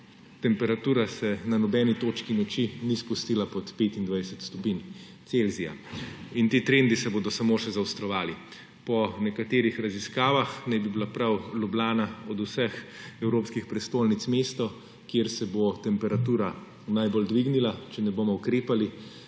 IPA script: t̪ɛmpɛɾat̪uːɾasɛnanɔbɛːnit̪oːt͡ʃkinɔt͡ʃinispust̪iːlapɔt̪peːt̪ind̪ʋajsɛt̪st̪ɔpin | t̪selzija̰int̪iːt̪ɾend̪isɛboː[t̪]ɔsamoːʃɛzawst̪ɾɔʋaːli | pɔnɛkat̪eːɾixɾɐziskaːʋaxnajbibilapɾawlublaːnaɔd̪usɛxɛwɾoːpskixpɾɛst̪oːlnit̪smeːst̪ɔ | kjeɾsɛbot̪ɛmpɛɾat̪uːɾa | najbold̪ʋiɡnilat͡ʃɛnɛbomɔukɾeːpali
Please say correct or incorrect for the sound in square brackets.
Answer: incorrect